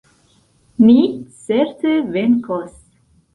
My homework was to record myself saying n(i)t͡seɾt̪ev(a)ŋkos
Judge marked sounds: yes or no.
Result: yes, no

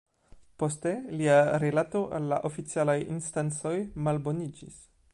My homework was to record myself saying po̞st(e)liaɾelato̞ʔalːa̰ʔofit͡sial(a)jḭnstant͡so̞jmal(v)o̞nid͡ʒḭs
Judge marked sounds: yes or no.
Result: yes, yes, no

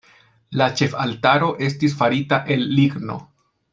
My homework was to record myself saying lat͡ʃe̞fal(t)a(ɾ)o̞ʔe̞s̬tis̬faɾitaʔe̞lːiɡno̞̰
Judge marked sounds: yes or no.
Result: yes, yes

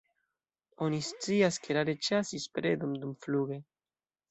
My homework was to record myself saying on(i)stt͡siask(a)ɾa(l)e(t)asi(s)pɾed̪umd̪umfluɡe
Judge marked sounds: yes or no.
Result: yes, no, no, no, yes

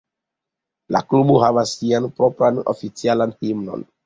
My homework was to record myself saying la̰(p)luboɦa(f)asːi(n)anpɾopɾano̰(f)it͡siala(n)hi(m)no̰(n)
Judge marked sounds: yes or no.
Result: no, no, no, yes, yes, yes, yes

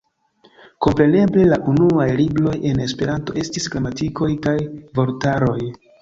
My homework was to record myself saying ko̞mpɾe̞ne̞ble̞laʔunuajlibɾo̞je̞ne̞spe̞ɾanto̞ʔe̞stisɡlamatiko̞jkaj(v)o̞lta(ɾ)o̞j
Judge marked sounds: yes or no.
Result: yes, yes

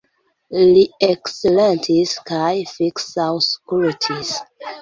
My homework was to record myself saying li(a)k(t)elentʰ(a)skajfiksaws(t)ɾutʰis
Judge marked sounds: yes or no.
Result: no, no, no, no

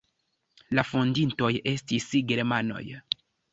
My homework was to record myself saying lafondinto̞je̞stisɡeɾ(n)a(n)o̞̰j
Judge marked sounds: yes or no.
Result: no, yes

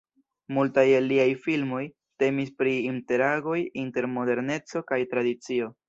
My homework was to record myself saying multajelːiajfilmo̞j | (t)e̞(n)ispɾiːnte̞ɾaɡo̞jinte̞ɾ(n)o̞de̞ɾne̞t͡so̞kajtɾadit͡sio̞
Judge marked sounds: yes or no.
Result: yes, no, no

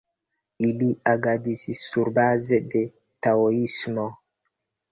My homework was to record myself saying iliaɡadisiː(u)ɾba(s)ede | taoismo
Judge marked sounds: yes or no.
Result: yes, no

